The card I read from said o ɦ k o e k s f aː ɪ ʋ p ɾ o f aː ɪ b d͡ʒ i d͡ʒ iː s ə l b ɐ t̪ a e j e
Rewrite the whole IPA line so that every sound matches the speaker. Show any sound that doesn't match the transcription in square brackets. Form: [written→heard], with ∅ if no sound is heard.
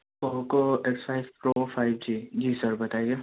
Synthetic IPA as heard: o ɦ k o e k s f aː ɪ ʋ p ɾ o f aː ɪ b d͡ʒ i d͡ʒ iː s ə [l→ɾ] b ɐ t̪ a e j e